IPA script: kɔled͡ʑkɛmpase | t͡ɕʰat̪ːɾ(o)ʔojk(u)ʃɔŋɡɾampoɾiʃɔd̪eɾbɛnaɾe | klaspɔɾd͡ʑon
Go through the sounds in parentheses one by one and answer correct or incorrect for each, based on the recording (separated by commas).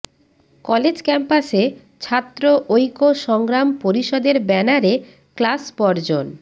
correct, incorrect